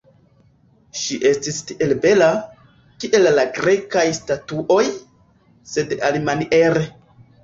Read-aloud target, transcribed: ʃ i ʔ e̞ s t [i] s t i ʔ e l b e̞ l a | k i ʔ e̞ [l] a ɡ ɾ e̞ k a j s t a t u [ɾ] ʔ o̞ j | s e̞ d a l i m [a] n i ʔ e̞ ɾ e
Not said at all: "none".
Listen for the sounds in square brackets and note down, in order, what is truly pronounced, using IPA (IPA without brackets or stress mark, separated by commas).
i, lː, none, a